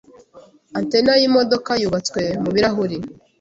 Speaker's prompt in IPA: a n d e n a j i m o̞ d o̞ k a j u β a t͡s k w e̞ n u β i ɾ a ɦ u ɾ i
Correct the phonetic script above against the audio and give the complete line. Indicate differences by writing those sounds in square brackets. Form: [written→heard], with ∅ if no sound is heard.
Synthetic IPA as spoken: a n [d→t] e n a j i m o̞ d o̞ k a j u β a t͡s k w e̞ [n→m] u β i ɾ a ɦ u ɾ i